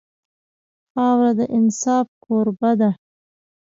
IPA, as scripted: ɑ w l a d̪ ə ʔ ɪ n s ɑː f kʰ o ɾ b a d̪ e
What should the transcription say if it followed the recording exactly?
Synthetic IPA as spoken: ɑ w ɾ a d̪ ə ʔ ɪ n s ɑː f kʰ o ɾ b a d̪ a